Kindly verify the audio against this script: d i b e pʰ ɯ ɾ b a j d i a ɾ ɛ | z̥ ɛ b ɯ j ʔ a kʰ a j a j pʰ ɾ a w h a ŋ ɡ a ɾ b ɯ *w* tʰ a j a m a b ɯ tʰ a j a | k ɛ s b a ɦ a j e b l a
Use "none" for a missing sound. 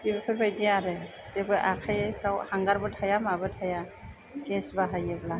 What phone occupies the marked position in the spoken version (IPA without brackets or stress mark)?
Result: none